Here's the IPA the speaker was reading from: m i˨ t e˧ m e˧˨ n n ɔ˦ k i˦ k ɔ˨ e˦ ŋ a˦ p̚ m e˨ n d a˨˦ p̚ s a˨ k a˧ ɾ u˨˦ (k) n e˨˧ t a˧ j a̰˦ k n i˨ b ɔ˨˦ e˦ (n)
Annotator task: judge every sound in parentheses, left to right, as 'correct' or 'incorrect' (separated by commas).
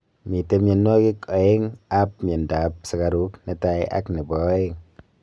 correct, incorrect